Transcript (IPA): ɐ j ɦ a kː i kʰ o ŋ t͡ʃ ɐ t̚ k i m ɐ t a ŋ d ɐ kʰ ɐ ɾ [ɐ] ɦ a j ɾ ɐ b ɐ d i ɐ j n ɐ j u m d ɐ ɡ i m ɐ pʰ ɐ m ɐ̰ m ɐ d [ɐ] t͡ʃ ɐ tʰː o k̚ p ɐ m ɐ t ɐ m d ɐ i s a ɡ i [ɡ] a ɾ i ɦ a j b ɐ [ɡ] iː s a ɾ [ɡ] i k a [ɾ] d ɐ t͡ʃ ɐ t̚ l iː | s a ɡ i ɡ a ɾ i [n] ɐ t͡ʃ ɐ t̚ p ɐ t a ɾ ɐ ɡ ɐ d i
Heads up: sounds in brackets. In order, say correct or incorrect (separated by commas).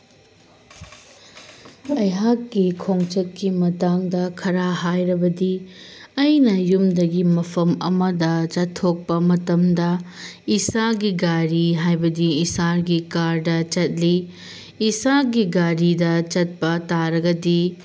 incorrect, correct, correct, incorrect, correct, correct, incorrect